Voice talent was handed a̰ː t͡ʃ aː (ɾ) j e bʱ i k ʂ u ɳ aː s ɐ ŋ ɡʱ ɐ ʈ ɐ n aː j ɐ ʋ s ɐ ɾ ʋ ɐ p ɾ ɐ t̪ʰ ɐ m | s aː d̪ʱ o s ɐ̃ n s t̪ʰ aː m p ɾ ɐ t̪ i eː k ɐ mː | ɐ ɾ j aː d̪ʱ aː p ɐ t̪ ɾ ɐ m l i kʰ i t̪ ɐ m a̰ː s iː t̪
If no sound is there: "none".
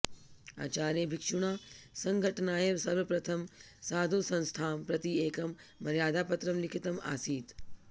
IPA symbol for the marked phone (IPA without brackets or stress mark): ɾ